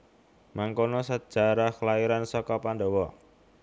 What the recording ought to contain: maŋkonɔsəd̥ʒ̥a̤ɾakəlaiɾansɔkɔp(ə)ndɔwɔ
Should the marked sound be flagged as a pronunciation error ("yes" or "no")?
yes